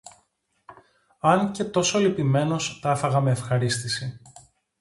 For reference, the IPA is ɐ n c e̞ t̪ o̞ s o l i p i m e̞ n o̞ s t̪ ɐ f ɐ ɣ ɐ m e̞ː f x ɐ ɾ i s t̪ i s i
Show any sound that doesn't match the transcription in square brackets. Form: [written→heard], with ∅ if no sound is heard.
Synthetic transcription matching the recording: ɐ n c e̞ t̪ o̞ s o l i p i m e̞ n o̞ s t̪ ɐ f ɐ ɣ ɐ m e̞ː f x ɐ ɾ i s t̪ i s i